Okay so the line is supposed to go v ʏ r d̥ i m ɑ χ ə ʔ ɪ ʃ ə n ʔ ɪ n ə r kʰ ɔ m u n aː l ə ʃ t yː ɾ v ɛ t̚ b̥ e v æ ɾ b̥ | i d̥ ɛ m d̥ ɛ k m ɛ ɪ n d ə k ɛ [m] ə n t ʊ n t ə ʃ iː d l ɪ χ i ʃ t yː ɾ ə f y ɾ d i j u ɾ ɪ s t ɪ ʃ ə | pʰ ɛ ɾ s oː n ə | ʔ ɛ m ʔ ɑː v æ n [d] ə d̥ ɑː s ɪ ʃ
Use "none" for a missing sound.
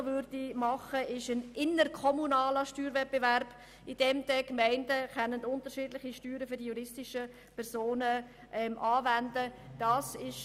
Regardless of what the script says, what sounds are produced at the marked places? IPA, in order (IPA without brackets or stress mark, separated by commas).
n, d